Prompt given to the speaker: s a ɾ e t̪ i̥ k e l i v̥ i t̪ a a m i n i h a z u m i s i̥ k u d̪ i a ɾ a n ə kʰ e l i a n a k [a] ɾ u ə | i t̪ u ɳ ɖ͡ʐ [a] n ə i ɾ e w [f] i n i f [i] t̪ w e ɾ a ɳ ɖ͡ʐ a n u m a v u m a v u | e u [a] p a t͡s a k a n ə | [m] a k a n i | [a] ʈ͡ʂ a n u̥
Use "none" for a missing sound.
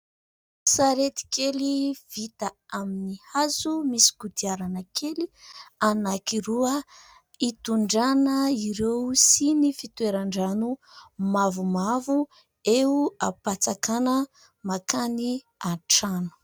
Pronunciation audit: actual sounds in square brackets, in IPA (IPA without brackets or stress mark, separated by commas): i, a, s, i, a, m, a